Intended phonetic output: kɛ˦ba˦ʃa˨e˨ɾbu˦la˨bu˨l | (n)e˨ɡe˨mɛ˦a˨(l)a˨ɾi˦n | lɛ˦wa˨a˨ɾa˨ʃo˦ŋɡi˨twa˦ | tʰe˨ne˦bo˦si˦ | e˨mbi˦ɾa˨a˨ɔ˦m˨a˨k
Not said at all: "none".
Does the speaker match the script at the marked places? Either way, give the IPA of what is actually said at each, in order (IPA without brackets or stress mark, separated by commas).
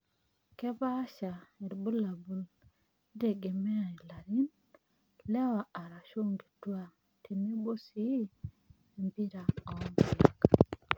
d, l